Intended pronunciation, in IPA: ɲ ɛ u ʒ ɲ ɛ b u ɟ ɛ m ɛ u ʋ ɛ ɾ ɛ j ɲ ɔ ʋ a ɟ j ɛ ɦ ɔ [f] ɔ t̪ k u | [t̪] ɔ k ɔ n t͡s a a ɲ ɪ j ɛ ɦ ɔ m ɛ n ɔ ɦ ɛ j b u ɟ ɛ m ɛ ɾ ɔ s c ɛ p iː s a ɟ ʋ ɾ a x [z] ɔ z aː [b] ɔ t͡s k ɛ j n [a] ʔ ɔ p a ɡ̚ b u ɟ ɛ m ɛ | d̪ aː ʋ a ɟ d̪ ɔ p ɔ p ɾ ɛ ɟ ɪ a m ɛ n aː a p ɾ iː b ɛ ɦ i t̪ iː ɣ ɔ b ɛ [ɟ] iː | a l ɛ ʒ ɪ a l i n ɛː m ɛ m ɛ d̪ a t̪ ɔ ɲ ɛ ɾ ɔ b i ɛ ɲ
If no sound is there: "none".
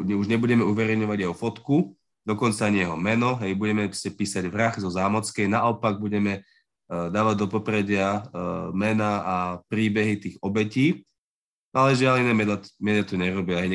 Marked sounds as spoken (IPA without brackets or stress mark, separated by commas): f, d̪, z, m, a, c